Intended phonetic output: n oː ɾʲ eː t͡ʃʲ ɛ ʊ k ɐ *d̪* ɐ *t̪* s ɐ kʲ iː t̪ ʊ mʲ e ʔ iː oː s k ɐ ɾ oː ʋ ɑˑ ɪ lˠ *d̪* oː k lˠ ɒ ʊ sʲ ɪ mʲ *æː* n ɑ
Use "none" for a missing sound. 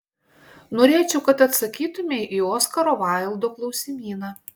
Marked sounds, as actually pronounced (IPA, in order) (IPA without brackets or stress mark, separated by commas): t̪, t̪, d̪, iː